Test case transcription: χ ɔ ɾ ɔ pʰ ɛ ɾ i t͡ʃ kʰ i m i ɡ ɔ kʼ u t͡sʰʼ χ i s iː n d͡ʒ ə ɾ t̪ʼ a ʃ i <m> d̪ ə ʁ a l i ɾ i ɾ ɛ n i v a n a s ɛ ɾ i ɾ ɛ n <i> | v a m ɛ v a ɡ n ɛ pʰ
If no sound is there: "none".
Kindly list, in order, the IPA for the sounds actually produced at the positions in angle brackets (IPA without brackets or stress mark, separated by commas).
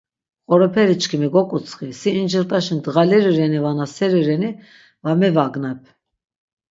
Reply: n, i